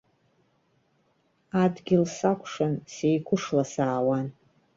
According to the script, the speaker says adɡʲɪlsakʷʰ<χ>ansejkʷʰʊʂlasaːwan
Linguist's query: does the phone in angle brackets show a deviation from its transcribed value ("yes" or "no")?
yes